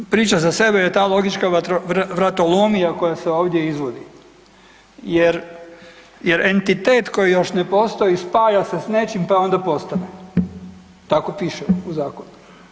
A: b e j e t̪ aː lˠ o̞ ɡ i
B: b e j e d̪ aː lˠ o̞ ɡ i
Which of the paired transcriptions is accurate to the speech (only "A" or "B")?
A